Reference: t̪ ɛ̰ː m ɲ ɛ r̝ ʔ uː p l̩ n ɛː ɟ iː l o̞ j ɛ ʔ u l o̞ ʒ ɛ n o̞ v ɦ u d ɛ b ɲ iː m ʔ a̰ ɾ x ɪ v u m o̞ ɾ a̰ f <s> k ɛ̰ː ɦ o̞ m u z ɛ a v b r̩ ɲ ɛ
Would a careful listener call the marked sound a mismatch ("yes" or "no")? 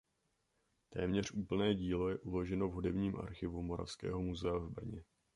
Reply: no